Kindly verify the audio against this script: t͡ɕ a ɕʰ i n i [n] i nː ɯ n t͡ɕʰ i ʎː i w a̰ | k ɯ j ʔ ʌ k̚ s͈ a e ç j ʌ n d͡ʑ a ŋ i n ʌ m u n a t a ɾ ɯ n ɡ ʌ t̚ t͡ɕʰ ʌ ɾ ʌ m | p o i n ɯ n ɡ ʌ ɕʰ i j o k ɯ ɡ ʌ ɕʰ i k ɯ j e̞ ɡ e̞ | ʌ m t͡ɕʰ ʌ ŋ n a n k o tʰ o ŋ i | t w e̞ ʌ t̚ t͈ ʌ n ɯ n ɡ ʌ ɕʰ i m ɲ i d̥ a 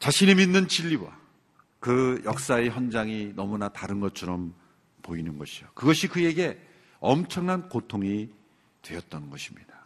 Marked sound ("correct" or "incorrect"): incorrect